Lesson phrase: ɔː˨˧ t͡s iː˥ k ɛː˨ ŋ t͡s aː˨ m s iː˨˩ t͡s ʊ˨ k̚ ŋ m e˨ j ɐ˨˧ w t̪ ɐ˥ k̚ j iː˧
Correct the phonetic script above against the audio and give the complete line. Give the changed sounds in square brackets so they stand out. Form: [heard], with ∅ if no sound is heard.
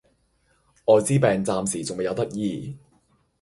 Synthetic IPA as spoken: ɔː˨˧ t͡s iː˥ [p] ɛː˨ ŋ t͡s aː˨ m s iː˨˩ t͡s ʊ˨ [∅] ŋ m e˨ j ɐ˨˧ w t̪ ɐ˥ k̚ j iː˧

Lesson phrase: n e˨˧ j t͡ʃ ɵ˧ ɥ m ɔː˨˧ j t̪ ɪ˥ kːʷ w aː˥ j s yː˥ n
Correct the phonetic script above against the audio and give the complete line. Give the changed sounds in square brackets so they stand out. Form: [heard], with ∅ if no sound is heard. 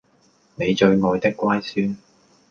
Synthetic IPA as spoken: n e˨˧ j t͡ʃ ɵ˧ ɥ [ŋ] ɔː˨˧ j t̪ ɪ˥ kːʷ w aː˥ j s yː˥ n

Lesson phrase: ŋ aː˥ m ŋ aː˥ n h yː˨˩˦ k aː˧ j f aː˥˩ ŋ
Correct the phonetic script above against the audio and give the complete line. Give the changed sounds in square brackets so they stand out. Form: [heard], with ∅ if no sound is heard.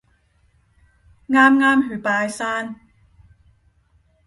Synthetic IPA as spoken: ŋ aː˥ m ŋ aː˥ [m] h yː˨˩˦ [p] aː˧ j [s] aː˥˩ [n]

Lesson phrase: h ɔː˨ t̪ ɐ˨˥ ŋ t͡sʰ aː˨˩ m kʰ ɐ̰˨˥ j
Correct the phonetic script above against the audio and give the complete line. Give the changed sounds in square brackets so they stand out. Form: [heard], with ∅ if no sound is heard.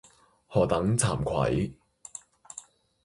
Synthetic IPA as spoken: h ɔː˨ t̪ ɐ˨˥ ŋ t͡sʰ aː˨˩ m kʰ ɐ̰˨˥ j

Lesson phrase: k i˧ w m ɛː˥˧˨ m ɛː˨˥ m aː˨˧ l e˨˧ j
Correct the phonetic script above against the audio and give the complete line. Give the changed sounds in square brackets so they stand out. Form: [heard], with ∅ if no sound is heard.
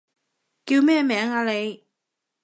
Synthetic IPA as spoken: k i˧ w m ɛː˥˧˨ m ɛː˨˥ [ŋ] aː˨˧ l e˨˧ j

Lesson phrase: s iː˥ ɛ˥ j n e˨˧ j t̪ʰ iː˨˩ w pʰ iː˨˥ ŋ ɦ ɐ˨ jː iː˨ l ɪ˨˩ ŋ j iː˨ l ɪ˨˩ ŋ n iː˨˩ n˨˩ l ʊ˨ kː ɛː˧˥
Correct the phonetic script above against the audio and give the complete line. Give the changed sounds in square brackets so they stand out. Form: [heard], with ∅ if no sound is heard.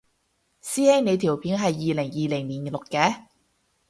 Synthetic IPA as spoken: s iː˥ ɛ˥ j n e˨˧ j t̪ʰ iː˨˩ w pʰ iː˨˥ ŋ ɦ ɐ˨ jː iː˨ l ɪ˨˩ ŋ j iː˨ l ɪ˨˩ ŋ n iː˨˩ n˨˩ l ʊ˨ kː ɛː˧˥

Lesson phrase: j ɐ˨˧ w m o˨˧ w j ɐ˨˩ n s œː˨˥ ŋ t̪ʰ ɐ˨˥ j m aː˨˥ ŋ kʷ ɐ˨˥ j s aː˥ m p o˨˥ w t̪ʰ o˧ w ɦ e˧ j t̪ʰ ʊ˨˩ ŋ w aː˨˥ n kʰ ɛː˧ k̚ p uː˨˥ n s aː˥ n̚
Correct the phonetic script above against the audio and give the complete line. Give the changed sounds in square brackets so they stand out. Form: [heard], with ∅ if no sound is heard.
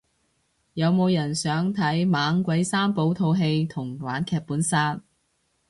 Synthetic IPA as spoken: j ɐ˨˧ w m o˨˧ w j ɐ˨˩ n s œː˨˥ ŋ t̪ʰ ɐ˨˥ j m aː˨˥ ŋ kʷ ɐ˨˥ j s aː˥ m p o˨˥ w t̪ʰ o˧ w ɦ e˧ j t̪ʰ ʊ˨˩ ŋ w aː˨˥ n kʰ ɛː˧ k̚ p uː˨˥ n s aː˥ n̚

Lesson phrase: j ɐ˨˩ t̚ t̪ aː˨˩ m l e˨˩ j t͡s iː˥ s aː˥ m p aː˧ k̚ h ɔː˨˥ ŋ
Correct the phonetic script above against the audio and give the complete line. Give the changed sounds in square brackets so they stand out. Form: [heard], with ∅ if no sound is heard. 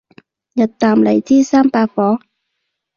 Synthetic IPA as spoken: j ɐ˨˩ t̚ t̪ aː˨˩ m l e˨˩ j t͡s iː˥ s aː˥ m p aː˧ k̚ [f] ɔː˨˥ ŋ

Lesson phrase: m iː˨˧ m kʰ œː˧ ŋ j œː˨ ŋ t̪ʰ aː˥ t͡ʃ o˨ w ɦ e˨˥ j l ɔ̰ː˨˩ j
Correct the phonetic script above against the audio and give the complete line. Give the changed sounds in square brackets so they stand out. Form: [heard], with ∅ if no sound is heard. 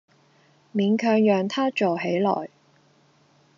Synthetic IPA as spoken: m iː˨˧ [n] kʰ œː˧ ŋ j œː˨ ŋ t̪ʰ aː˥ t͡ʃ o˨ w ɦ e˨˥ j l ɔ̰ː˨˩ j

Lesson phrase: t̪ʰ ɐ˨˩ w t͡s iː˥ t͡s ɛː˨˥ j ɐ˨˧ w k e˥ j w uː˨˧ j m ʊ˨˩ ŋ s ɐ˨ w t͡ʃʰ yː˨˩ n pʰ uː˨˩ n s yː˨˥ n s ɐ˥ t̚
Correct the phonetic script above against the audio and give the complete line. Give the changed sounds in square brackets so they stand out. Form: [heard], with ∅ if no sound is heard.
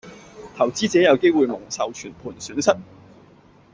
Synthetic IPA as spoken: t̪ʰ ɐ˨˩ w t͡s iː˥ t͡s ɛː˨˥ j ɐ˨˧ w k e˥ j w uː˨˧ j m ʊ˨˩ ŋ s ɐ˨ w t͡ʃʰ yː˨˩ n pʰ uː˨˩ n s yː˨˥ n s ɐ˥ t̚

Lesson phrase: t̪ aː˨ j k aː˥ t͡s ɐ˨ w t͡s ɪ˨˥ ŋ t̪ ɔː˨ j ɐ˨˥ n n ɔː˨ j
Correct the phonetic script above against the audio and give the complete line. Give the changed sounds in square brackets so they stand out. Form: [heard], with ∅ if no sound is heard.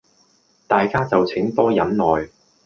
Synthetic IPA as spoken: t̪ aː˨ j k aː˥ t͡s ɐ˨ w [t͡sʰ] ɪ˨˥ ŋ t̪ [ɔː˥] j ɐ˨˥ n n ɔː˨ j

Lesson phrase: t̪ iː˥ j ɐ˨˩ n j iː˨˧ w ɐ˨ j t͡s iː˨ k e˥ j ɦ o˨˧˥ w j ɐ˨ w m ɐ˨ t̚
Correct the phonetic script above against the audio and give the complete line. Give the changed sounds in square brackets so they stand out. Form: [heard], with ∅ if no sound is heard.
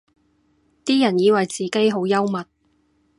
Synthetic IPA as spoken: t̪ iː˥ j ɐ˨˩ n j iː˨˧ w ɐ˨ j t͡s iː˨ k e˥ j ɦ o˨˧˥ w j [ɐ˥] w m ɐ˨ t̚

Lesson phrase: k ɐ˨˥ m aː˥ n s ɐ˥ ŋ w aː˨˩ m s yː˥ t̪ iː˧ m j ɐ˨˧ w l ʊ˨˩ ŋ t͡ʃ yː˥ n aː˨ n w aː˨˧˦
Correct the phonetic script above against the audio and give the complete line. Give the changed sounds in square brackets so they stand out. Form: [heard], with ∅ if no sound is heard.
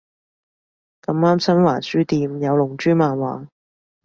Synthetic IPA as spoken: k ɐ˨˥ m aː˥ [m] s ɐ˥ [n] w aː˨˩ [n] s yː˥ t̪ iː˧ m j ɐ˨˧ w l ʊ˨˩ ŋ t͡ʃ yː˥ [m] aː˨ n w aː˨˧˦

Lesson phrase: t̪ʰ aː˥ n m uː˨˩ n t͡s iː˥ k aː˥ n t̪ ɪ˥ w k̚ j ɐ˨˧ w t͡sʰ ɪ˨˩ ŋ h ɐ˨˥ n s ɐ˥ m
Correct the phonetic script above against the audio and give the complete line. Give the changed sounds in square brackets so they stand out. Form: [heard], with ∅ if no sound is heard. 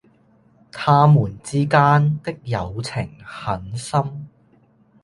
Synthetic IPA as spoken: t̪ʰ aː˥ [∅] m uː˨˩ n t͡s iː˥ k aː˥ n t̪ ɪ˥ [∅] k̚ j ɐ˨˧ w t͡sʰ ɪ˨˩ ŋ h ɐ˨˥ n s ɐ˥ m

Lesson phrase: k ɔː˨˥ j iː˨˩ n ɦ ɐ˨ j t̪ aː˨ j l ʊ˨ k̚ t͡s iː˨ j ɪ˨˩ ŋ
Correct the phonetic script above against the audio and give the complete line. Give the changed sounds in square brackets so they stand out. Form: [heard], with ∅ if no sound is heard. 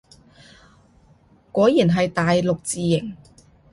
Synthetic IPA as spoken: k ɔː˨˥ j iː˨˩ n ɦ ɐ˨ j t̪ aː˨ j l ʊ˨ k̚ t͡s iː˨ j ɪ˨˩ ŋ

